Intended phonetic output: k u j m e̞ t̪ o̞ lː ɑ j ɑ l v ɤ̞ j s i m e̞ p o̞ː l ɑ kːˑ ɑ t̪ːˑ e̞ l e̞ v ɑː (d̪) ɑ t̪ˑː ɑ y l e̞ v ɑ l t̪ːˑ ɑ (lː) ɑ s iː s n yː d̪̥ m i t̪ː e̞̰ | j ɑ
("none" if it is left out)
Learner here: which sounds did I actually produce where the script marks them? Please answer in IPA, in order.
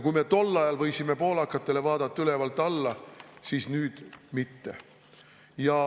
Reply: d̪, lː

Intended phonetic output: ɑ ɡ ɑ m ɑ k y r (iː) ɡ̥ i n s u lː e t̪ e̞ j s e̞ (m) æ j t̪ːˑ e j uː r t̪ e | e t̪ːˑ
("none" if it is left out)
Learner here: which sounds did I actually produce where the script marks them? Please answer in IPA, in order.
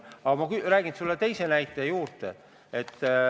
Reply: æː, n

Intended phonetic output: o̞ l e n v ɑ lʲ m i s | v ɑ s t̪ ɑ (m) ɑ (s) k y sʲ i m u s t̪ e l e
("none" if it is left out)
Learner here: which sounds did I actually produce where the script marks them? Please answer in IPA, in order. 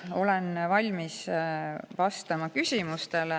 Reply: m, none

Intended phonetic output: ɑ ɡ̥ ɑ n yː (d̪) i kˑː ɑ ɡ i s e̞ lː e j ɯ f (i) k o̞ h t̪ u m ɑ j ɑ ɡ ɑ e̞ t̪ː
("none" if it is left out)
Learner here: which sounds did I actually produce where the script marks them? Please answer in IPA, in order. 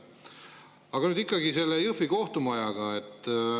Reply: d̪, i

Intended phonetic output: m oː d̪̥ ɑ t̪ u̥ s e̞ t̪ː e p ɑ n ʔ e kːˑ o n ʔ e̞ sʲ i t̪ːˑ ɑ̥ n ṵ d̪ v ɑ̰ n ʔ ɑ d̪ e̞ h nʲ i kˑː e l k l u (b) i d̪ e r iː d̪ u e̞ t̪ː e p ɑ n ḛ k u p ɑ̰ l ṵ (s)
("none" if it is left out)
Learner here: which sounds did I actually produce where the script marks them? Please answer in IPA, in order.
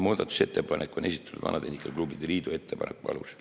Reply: b, s

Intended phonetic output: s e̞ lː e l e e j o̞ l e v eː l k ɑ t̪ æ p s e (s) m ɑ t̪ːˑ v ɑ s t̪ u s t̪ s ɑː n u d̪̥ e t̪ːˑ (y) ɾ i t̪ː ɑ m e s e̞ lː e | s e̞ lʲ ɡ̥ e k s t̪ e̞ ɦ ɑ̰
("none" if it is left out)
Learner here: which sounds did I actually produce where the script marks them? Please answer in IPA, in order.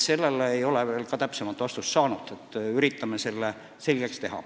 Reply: none, y

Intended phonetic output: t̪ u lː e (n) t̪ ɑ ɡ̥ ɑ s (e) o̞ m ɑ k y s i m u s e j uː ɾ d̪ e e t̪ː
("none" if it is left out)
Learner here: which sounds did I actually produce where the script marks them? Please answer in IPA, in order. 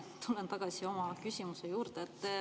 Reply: n, i

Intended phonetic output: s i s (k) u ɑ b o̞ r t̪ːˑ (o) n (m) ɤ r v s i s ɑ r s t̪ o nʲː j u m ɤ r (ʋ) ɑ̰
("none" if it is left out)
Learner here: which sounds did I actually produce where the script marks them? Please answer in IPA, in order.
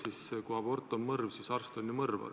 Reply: k, o, m, v

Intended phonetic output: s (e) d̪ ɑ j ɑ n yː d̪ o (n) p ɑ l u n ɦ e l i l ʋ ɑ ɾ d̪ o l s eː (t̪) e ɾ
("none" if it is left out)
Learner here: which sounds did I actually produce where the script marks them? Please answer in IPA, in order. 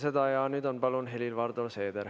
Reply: e, n, d̪

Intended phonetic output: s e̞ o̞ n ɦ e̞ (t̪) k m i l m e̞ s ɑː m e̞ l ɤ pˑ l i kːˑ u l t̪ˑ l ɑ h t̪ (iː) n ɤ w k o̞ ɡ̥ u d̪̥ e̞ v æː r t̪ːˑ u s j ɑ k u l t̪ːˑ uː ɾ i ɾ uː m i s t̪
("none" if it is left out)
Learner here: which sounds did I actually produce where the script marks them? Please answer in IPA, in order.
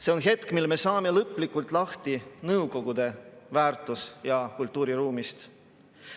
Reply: t̪, i

